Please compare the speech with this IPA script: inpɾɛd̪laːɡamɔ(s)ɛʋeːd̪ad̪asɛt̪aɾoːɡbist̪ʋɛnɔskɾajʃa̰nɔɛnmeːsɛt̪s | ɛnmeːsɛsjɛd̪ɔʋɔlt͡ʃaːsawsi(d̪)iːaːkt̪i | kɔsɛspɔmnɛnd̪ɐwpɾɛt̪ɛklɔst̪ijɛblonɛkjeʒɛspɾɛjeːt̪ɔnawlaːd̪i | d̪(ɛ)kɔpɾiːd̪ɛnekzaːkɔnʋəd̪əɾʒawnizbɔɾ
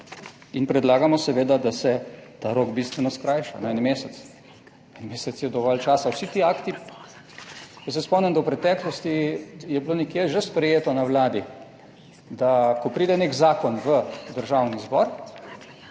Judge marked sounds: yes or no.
yes, no, no

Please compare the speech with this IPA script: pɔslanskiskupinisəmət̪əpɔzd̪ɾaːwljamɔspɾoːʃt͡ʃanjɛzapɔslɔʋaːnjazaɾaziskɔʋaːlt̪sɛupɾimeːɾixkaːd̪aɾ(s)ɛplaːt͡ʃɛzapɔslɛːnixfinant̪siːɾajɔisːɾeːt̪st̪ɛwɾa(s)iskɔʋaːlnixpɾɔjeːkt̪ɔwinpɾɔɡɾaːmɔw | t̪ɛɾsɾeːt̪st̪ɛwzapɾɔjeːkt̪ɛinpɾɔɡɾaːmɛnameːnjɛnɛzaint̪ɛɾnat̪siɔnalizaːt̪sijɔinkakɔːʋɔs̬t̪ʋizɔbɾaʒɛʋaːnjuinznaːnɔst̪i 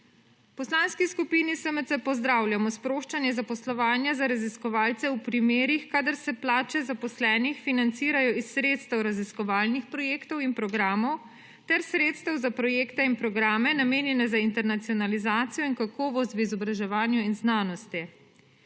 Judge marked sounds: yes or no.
yes, no

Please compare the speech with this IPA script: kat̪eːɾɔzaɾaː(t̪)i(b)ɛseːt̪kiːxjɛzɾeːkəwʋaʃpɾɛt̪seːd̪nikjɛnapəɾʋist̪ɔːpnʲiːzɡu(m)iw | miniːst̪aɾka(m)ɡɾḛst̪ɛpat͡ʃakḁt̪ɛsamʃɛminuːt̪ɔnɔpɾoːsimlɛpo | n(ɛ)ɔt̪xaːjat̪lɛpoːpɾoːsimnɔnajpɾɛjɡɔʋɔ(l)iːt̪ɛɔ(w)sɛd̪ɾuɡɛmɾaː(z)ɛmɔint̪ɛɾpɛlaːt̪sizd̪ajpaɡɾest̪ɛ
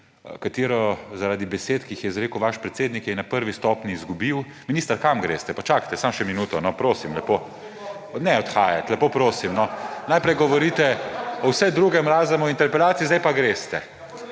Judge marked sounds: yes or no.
no, yes, no, yes, yes, no, yes, yes

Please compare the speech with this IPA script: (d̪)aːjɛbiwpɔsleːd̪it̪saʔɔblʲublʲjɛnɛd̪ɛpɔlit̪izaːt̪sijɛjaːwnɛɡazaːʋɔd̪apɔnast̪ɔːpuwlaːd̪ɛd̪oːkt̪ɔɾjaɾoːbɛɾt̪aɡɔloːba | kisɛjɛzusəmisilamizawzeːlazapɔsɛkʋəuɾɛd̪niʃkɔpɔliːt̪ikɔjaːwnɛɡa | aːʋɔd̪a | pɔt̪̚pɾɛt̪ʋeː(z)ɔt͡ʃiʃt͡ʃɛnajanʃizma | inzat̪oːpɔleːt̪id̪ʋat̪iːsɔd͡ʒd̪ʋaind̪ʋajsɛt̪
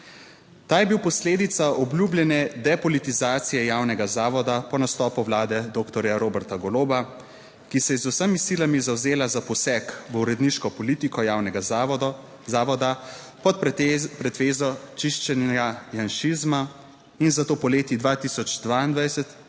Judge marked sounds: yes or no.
no, yes

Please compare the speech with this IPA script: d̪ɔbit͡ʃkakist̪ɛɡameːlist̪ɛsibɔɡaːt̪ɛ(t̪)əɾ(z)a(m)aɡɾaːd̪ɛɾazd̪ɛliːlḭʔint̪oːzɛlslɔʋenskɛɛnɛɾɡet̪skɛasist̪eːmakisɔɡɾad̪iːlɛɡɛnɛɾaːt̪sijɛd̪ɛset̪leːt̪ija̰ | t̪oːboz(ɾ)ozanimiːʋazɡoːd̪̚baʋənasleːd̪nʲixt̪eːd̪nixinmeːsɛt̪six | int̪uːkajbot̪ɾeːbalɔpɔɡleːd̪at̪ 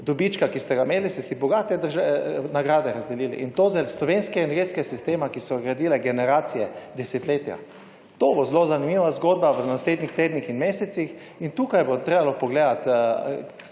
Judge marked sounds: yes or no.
no, no, no, no

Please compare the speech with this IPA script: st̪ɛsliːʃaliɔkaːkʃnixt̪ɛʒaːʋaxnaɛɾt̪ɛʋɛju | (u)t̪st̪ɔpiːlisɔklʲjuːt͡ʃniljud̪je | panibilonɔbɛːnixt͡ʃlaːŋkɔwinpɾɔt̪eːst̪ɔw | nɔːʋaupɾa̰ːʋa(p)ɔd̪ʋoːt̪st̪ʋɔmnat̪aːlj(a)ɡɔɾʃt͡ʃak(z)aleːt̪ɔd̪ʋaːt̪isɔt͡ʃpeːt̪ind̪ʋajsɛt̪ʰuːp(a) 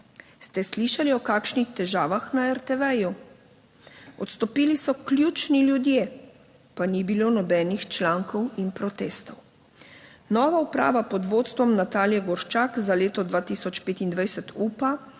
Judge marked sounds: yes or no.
no, yes, no, yes, yes

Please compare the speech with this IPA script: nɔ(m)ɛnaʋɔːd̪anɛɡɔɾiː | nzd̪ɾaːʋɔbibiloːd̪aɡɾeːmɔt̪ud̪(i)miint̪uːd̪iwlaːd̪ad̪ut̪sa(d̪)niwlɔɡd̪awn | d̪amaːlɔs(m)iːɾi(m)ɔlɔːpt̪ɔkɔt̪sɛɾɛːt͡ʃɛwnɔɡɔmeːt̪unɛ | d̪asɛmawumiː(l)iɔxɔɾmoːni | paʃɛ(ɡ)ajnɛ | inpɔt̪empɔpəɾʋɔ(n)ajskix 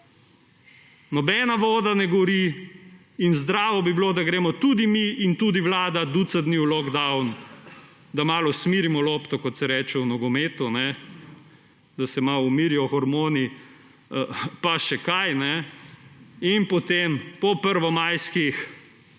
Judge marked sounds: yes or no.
no, yes, yes, yes, yes, no, no, no

